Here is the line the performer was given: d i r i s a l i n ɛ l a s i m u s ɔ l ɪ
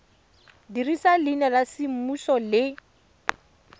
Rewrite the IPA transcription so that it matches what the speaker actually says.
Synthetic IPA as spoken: d i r i s a l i n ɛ l a s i m u s ɔ l ɪ